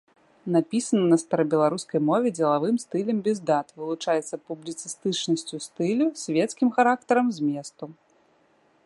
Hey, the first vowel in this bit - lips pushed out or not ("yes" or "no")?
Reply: no